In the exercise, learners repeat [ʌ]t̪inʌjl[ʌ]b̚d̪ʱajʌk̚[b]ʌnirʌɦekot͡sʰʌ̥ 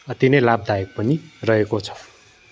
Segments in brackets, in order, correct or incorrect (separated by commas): correct, incorrect, incorrect